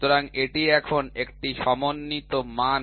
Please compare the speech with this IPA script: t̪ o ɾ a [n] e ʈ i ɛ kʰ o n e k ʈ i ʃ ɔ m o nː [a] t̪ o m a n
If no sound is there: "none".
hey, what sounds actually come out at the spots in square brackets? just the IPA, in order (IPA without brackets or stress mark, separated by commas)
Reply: ŋ, i